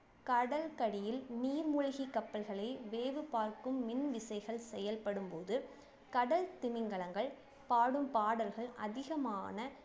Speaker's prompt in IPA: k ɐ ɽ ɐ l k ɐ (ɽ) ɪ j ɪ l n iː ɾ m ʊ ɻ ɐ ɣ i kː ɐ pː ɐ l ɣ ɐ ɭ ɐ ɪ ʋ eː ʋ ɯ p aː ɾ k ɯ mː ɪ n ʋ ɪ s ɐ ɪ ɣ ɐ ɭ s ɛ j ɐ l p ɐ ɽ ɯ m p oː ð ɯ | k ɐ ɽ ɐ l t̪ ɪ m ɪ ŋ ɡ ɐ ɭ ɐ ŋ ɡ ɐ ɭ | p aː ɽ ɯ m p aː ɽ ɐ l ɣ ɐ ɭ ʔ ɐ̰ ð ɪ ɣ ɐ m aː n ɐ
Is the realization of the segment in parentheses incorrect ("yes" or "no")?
no